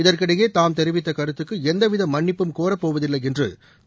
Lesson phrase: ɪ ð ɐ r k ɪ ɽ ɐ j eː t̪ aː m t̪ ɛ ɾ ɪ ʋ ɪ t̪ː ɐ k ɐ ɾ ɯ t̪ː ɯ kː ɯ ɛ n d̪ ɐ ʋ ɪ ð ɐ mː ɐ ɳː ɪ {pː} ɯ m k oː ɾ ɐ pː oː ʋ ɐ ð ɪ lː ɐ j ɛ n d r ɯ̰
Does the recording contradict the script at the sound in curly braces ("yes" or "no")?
no